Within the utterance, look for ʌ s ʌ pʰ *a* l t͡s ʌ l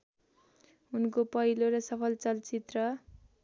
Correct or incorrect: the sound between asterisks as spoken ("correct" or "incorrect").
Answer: incorrect